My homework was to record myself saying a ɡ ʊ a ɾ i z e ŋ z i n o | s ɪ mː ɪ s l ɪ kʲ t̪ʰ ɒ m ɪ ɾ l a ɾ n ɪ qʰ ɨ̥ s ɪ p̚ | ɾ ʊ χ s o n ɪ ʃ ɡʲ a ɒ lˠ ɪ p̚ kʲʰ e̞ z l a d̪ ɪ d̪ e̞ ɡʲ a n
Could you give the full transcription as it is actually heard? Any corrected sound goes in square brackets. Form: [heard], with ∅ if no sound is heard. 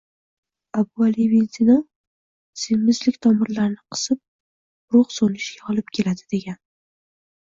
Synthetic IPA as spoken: a [b] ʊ a [l] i [v] e [n] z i n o | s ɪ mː ɪ [z] l ɪ kʲ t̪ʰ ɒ m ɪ ɾ l a ɾ n ɪ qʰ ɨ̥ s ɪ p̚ | ɾ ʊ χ s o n ɪ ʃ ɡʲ a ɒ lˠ ɪ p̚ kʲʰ e̞ [∅] l a d̪ ɪ d̪ e̞ ɡʲ a n

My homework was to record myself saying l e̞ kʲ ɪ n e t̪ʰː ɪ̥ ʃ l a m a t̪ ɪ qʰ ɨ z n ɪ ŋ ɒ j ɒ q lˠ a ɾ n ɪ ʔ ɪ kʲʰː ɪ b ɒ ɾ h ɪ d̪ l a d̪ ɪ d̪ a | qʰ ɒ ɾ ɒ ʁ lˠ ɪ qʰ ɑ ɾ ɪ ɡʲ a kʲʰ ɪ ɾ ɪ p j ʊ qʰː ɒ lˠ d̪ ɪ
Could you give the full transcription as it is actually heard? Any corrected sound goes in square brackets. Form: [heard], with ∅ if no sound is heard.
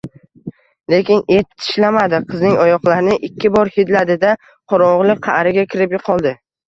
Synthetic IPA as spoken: l e̞ kʲ ɪ n e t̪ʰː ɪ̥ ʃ l a m a [d̪] ɪ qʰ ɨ z n ɪ ŋ ɒ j ɒ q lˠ a ɾ n ɪ ʔ ɪ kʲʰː ɪ b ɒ ɾ h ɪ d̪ l a d̪ ɪ d̪ a | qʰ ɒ ɾ ɒ ʁ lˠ ɪ qʰ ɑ ɾ ɪ ɡʲ a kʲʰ ɪ ɾ ɪ p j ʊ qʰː ɒ lˠ d̪ ɪ

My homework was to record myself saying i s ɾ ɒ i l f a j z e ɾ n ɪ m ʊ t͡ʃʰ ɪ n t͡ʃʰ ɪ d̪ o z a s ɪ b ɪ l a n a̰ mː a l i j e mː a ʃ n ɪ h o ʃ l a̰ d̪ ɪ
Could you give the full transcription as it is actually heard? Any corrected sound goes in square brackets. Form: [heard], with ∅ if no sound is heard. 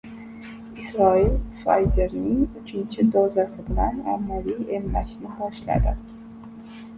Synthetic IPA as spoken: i s ɾ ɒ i l f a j z e ɾ n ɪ [ŋ] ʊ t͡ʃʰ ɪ n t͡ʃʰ ɪ d̪ o z a s ɪ b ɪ l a n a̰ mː a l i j e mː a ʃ n ɪ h [ɒ] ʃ l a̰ d̪ ɪ

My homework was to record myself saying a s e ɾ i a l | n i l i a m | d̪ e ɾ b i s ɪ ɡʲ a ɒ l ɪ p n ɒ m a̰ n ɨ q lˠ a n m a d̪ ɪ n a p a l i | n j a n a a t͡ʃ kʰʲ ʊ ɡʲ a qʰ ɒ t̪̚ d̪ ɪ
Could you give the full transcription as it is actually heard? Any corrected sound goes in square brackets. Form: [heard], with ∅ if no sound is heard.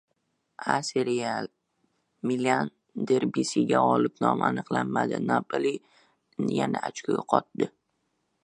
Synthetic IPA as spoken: a s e ɾ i a l | [m] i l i a [n] | d̪ e ɾ b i s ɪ ɡʲ a ɒ l ɪ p n ɒ m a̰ n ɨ q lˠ a n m a d̪ ɪ n a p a l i | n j a n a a t͡ʃ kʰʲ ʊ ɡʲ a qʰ ɒ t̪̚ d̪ ɪ

